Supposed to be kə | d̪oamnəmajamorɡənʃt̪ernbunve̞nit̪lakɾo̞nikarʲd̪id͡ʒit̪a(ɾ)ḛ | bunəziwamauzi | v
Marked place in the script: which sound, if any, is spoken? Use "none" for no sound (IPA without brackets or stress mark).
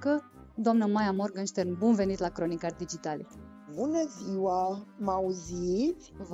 l